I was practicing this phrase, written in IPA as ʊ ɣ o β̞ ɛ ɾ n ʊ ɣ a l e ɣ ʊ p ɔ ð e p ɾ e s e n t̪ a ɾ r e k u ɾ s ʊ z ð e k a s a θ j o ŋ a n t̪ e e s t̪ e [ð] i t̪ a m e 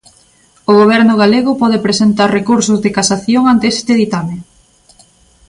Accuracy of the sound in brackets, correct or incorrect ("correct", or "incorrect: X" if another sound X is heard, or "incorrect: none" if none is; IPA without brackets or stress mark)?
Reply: correct